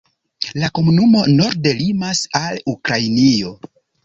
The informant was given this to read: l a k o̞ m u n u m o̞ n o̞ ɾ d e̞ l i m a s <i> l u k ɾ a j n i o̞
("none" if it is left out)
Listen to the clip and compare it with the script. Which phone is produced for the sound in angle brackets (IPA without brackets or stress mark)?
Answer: a